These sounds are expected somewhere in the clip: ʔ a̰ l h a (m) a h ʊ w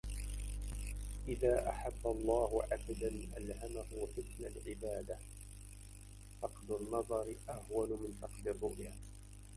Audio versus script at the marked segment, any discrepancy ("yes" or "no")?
no